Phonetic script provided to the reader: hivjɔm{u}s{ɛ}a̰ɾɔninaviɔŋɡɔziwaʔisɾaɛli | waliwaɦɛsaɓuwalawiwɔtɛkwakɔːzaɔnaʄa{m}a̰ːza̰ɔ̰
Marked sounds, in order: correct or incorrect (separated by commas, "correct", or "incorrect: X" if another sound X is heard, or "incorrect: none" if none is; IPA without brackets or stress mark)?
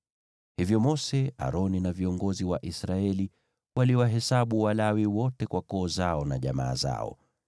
incorrect: ɔ, correct, correct